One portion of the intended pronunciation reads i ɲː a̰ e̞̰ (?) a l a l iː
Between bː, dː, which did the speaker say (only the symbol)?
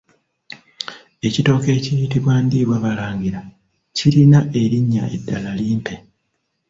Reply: dː